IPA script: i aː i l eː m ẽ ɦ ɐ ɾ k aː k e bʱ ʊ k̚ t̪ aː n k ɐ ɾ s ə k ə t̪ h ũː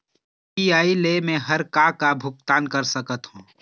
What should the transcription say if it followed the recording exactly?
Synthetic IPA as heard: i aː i l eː m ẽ ɦ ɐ ɾ k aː k a bʱ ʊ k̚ t̪ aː n k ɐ ɾ s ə k ə t̪ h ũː